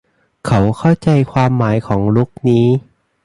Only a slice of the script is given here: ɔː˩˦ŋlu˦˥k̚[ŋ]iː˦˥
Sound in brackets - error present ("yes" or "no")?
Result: yes